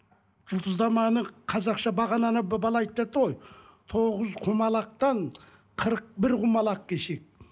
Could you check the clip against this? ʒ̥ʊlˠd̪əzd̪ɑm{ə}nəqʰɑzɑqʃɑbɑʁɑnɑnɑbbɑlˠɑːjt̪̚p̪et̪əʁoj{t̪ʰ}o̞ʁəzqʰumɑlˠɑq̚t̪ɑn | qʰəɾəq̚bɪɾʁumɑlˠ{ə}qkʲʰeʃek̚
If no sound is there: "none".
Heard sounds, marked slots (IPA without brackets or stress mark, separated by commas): ɑ, t̪ʰ, ɑ